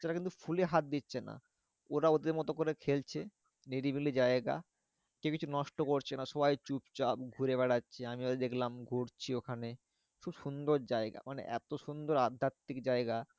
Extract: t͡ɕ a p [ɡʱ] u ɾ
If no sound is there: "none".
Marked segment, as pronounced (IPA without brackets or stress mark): ɡʱ